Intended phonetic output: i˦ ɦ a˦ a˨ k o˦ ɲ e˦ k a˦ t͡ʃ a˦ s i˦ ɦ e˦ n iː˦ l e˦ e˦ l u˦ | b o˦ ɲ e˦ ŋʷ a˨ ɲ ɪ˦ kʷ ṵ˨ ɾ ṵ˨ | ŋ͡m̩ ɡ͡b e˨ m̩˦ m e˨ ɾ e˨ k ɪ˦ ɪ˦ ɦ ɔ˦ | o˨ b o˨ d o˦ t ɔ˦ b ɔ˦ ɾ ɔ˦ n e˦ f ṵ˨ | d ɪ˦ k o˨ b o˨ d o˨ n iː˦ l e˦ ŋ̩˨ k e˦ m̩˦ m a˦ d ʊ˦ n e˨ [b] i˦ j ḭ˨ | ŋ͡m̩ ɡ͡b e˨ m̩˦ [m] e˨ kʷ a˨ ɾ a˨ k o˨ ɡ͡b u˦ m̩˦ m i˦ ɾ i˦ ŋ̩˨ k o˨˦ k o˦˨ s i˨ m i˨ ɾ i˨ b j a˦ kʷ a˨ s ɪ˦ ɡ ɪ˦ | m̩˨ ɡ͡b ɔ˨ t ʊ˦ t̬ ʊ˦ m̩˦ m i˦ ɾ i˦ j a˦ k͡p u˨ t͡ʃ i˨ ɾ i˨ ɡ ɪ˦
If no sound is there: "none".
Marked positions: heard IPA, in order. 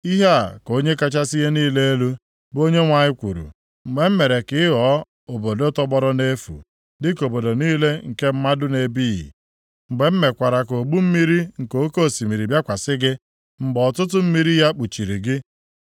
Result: b, m

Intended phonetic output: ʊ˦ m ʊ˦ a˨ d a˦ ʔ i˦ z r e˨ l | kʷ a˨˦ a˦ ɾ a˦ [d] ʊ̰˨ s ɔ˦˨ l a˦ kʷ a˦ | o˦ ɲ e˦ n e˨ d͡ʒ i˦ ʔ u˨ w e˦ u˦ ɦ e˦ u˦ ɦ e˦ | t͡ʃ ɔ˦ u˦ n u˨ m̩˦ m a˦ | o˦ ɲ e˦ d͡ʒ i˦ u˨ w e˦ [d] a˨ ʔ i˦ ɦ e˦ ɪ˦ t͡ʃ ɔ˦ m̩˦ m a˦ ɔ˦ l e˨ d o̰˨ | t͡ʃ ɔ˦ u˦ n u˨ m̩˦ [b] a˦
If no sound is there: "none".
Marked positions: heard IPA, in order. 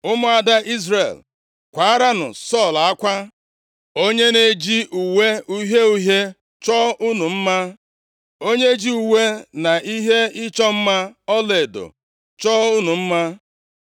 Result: n, n, m

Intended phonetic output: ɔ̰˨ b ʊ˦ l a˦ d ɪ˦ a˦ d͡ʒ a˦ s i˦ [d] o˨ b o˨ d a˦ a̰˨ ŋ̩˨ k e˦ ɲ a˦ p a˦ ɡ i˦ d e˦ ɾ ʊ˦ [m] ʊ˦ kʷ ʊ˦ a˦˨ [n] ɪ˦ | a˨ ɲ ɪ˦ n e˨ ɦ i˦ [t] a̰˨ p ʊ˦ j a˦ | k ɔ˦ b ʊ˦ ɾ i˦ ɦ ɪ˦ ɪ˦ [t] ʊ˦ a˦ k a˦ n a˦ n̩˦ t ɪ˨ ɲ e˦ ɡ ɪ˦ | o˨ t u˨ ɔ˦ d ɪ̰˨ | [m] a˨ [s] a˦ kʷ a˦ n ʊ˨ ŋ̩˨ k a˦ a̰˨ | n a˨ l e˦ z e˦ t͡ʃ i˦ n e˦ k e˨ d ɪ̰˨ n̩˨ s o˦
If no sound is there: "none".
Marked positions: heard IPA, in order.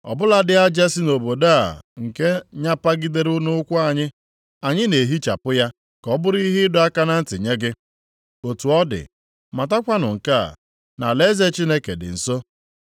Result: n, n, ɲ, t͡ʃ, d, m, t

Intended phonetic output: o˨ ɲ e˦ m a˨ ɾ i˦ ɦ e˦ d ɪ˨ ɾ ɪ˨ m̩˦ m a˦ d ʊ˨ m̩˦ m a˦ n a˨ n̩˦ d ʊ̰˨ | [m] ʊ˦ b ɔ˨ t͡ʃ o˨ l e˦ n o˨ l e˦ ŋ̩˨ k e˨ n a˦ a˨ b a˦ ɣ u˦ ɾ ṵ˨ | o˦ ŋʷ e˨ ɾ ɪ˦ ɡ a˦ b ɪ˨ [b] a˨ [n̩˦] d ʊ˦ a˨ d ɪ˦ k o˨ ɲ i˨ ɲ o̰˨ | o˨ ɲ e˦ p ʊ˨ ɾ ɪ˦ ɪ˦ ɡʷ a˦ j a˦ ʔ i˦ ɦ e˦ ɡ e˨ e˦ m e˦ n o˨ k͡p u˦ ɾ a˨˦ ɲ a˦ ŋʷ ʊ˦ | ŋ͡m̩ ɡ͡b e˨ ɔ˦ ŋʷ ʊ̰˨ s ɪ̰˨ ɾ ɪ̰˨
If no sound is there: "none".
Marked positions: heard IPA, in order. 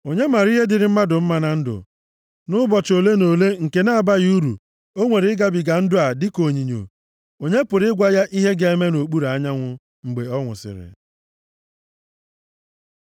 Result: n, ɡ, n̩˦

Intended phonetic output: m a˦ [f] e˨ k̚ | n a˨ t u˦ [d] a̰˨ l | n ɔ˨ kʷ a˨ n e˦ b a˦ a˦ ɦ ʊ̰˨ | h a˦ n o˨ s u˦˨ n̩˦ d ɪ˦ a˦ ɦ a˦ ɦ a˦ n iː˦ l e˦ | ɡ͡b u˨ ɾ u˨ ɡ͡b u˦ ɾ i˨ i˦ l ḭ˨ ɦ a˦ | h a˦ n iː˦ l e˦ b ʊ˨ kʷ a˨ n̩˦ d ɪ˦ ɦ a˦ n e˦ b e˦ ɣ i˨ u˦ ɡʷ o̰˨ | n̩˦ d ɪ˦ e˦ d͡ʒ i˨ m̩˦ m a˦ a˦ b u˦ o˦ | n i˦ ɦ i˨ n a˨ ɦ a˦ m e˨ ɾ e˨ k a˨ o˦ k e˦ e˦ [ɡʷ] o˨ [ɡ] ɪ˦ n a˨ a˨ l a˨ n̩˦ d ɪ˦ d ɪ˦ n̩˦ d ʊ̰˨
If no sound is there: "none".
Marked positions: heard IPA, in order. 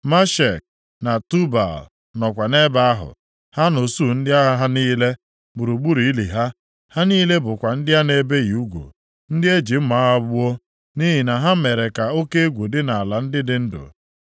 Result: ʃ, b, ɡʷ, d

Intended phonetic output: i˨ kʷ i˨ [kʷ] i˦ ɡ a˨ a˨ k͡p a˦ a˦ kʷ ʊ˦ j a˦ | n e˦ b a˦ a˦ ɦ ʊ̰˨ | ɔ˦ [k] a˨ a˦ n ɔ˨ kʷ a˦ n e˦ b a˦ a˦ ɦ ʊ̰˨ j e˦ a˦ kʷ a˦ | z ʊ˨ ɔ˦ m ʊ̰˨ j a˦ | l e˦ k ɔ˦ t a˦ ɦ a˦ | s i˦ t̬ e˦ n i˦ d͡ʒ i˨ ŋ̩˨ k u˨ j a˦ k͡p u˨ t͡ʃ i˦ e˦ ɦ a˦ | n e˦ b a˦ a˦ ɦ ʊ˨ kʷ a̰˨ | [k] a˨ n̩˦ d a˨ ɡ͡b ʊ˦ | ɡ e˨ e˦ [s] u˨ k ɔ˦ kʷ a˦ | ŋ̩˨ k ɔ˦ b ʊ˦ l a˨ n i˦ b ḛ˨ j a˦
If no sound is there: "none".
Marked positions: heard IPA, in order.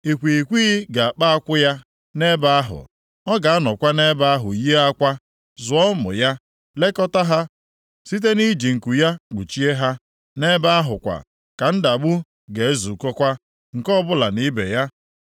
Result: kʷ, ɡ, k, z

